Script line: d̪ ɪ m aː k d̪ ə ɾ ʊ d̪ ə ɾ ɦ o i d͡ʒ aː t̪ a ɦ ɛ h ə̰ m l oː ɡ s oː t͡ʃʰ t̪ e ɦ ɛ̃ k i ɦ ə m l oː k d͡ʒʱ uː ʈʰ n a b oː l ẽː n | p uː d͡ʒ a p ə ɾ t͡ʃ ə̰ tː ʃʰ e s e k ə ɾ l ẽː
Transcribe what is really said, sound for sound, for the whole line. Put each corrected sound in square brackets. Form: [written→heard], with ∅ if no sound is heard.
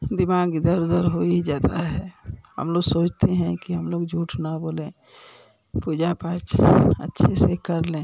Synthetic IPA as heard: d̪ ɪ m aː [k→ɡ] d̪ ə ɾ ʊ d̪ ə ɾ ɦ o i d͡ʒ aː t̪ a ɦ ɛ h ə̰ m l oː ɡ s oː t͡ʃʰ t̪ e ɦ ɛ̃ k i ɦ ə m l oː [k→ɡ] d͡ʒʱ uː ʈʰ n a b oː l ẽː [n→∅] | p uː d͡ʒ a p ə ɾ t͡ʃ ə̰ tː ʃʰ e s e k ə ɾ l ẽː